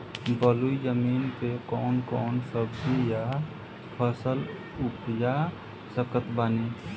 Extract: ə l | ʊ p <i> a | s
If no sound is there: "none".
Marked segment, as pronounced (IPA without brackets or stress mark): j